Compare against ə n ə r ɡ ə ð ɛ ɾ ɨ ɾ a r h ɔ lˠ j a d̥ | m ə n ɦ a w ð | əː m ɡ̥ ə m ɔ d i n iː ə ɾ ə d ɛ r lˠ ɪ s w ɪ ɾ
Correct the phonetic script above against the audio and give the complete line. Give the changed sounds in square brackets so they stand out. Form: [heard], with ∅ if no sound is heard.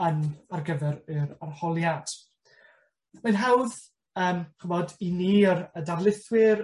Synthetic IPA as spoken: ə n [a] r ɡ ə [v] ɛ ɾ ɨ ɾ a r h ɔ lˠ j a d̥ | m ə n ɦ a w ð | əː m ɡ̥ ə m ɔ d i n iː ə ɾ ə d [a] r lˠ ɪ [θ] w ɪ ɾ

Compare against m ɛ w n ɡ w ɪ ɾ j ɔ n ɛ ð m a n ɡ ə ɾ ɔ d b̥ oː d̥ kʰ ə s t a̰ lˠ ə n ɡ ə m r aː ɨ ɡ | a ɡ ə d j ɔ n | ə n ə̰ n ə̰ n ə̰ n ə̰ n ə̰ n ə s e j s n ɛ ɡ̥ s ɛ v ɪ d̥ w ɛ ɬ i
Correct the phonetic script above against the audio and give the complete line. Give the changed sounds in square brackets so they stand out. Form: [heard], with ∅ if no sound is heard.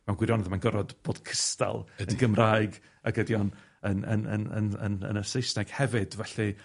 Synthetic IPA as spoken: m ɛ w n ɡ w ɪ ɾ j ɔ n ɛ ð m a n ɡ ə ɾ ɔ d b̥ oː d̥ kʰ ə s t a̰ lˠ ə n ɡ ə m r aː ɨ ɡ | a ɡ ə d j ɔ n | ə n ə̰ n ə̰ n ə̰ n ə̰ n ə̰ n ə s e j s n ɛ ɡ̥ [h] ɛ v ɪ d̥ [v] ɛ ɬ i

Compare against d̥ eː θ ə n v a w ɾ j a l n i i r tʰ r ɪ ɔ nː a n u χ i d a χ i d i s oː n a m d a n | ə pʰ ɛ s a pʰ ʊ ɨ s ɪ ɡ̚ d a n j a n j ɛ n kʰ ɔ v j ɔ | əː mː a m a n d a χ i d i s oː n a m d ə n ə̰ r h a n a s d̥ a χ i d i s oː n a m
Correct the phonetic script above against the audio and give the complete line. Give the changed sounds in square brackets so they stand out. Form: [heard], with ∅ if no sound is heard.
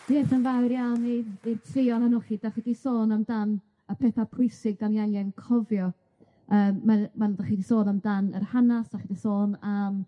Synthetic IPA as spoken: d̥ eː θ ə n v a w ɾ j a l n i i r tʰ r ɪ ɔ [n] a n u χ i d a χ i d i s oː n a m d a n | ə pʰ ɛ [θ] a pʰ ʊ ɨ s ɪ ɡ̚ d a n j a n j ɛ n kʰ ɔ v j ɔ | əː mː a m a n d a χ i d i s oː n a m d [a] n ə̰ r h a n a s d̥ a χ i d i s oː n a m

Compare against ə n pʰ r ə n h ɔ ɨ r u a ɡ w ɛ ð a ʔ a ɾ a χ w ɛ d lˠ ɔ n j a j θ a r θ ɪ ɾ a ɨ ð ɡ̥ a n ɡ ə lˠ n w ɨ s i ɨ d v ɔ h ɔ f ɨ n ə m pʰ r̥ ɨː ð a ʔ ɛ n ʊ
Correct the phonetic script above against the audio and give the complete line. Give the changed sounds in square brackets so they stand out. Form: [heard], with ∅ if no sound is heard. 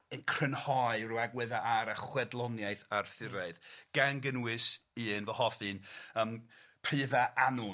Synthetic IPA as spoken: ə n [kʰ] r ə n h ɔ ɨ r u a ɡ w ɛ ð a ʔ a ɾ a χ w ɛ d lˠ ɔ n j a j θ a r θ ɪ ɾ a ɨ ð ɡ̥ a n ɡ ə [∅] n w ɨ s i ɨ [n] v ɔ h ɔ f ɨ n ə m pʰ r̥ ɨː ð a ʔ [a] n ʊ

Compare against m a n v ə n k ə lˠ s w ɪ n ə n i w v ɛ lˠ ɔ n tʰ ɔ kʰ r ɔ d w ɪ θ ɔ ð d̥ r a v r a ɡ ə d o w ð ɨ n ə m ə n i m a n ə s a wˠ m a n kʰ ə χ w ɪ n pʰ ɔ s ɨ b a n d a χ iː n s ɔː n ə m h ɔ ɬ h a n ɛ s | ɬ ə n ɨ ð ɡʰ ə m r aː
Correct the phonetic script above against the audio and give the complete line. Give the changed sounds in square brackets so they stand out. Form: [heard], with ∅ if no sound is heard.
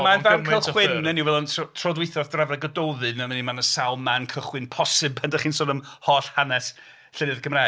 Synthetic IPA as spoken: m a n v [a] n k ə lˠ [χ] w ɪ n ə n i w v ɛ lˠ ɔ n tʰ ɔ [tʰ] r ɔ d w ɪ θ ɔ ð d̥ r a v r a ɡ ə d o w ð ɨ n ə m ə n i m a n ə s a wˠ m a n kʰ ə χ w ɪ n pʰ ɔ s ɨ b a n d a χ iː n s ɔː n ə m h ɔ ɬ h a n ɛ s | ɬ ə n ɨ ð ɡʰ ə m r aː

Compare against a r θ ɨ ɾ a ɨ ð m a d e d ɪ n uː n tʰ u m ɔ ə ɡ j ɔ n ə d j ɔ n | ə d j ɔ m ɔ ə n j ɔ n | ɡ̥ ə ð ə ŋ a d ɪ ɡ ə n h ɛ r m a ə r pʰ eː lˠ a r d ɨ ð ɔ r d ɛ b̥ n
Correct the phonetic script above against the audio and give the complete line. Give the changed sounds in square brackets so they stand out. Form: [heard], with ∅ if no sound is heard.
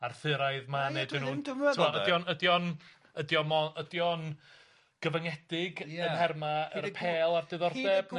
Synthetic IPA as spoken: a r θ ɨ ɾ a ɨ ð m a [n] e d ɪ n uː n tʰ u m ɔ ə [d] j ɔ n ə d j ɔ n | ə d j ɔ m ɔ ə [d] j ɔ n | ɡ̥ ə [v] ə ŋ [ɛ] d ɪ ɡ ə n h ɛ r m a ə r pʰ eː lˠ a r d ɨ ð ɔ r d ɛ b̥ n

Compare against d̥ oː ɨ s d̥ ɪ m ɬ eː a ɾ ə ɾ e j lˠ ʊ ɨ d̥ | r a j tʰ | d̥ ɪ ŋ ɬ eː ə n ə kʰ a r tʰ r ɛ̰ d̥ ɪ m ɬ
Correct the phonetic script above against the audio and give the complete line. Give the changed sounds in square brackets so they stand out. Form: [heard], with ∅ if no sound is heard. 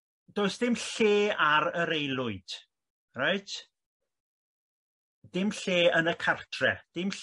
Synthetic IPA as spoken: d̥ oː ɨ s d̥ ɪ m ɬ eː a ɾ ə ɾ e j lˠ ʊ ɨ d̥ | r a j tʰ | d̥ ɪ [m] ɬ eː ə n ə kʰ a r tʰ r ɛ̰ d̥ ɪ m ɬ

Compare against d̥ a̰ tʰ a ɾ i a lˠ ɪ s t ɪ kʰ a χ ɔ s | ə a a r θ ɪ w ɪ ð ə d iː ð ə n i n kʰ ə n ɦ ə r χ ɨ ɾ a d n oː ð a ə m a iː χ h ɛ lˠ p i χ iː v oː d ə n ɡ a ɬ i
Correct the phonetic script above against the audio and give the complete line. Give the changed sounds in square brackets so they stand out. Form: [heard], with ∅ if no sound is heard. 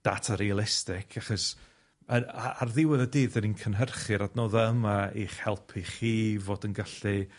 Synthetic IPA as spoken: d̥ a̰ tʰ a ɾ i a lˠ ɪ s t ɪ kʰ a χ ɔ s | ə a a r [ð] ɪ w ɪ ð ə d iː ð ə n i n kʰ ə n ɦ ə r χ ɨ ɾ a d n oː ð a ə m a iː χ h ɛ lˠ [pʰ] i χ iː v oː d ə n ɡ a ɬ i

